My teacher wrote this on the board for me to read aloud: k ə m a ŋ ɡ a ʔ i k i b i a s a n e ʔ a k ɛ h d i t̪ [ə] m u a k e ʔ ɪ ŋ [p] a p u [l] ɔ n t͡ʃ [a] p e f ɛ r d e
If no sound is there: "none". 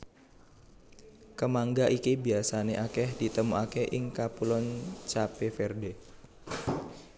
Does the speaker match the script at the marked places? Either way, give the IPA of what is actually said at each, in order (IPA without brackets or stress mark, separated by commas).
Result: ə, k, l, a